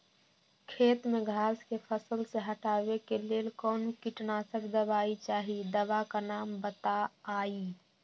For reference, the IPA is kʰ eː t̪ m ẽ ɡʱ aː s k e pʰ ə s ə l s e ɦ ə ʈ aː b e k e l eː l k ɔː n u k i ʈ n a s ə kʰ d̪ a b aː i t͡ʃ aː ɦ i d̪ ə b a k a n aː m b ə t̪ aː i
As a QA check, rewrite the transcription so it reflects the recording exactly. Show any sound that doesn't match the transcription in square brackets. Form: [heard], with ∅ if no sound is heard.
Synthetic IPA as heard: kʰ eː t̪ m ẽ ɡʱ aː s k e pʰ ə s ə l s e ɦ ə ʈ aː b e k e l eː l k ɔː n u k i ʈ n a s ə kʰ d̪ [ə] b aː i t͡ʃ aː ɦ i d̪ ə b a k a n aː m b ə t̪ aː i